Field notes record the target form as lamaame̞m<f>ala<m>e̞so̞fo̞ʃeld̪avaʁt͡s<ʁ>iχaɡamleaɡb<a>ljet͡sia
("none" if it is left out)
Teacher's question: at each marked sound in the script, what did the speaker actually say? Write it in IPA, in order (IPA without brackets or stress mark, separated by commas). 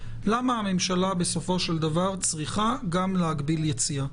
ʃ, b, ʁ, i